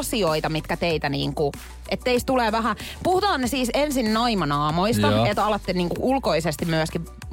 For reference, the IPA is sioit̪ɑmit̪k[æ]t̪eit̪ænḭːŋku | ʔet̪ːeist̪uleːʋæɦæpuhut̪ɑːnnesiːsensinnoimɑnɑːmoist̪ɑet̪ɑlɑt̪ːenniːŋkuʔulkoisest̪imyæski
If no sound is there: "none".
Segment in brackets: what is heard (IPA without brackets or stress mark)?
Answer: æ